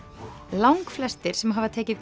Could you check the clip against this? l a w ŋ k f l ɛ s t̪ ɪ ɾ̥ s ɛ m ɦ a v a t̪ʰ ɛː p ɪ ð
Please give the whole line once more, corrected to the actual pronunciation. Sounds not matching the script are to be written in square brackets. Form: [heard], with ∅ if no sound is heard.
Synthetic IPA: l a w ŋ k f l ɛ s t̪ ɪ ɾ̥ s ɛ m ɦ a v a t̪ʰ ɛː [c] ɪ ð

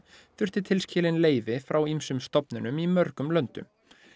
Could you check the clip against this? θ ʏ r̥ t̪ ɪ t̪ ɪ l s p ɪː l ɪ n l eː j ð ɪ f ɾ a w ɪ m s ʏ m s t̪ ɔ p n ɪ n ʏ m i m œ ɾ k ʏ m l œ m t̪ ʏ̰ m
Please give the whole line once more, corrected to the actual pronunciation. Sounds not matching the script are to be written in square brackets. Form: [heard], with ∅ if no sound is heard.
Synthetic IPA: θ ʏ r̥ t̪ ɪ [t̪ʰ] ɪ l s [c] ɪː l ɪ n l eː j [v] ɪ f ɾ a w [i] m s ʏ m s t̪ ɔ p n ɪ n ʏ m i m œ ɾ k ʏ m l œ [n] t̪ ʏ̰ m

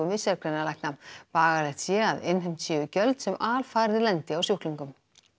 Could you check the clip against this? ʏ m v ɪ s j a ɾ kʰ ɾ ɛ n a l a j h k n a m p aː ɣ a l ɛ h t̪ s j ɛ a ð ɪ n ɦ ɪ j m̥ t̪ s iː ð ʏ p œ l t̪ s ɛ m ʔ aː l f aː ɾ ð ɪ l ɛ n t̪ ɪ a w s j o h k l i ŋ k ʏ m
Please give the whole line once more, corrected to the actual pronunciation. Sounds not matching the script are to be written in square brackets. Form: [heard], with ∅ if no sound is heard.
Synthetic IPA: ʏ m v ɪ s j a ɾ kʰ ɾ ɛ n a l a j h k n a m p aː ɣ a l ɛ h t̪ s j ɛ a ð ɪ n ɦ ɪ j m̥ t̪ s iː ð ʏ [c] œ l t̪ s ɛ m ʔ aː l f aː ɾ ð ɪ l ɛ n t̪ ɪ a w s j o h k l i ŋ k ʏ m

